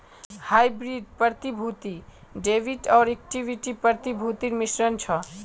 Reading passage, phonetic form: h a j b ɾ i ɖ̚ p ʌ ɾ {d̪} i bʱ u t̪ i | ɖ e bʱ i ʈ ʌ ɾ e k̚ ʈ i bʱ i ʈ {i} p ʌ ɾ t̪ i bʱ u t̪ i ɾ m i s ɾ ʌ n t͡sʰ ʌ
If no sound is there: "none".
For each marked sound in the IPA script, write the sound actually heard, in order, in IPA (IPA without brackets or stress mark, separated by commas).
t̪, i